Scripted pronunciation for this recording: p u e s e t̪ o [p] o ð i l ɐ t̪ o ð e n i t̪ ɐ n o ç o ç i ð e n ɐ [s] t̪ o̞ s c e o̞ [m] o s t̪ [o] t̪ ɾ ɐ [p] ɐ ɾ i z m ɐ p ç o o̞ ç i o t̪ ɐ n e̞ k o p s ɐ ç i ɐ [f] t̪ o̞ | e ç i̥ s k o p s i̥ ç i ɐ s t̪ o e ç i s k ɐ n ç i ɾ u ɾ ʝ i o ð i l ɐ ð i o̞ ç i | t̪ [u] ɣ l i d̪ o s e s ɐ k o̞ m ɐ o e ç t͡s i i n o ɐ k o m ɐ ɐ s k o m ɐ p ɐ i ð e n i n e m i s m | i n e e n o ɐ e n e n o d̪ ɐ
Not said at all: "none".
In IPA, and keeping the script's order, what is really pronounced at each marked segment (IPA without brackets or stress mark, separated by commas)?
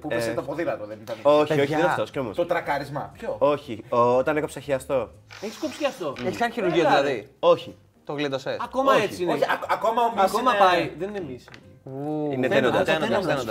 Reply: p, f, m, o, k, s, o